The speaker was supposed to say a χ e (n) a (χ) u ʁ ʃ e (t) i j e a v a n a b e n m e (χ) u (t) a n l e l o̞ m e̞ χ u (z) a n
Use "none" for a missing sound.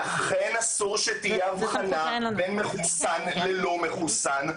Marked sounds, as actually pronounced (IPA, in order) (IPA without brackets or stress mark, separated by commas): n, s, t, χ, s, s